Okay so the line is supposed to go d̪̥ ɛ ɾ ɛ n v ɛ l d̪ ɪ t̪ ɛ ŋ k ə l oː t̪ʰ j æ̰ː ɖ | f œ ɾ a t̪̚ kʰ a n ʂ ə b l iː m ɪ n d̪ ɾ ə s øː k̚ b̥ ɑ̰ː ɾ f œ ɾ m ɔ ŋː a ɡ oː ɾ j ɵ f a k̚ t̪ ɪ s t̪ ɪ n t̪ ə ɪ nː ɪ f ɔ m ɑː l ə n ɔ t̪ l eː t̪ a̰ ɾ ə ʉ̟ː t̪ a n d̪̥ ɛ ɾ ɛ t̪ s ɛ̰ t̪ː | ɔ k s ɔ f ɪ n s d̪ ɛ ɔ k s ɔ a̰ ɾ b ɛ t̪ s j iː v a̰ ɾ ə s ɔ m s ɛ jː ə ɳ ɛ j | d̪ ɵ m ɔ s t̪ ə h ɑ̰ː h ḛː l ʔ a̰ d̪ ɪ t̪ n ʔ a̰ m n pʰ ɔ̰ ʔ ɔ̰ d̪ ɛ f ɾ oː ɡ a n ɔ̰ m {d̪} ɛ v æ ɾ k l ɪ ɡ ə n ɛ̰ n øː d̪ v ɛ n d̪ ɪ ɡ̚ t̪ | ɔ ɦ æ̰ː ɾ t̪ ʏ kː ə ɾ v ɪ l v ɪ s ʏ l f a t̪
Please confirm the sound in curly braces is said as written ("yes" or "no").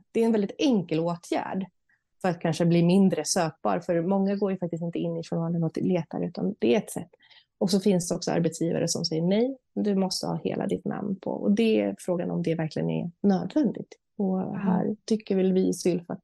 yes